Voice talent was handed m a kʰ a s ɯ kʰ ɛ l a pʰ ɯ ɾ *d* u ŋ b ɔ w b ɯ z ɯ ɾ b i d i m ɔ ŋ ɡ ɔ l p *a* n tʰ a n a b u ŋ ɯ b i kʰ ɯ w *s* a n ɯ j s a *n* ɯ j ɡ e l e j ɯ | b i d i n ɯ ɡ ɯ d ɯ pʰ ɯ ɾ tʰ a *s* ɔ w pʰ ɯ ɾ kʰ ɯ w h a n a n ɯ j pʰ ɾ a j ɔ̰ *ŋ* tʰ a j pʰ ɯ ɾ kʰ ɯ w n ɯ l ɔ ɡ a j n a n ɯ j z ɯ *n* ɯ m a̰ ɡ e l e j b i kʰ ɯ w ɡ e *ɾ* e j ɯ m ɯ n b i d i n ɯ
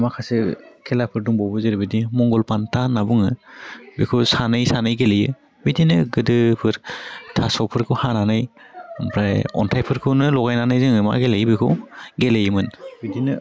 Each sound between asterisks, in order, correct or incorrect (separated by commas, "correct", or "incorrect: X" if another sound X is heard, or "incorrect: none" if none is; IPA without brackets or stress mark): correct, correct, correct, correct, correct, incorrect: n, incorrect: ŋ, incorrect: l